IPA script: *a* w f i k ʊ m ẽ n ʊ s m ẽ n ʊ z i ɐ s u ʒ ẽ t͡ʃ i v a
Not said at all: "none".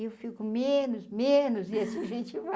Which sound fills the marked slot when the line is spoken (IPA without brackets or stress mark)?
e